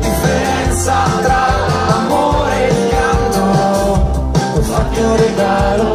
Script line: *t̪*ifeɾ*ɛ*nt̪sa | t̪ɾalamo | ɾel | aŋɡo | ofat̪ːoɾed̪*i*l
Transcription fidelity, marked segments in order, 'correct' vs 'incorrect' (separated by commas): incorrect, correct, incorrect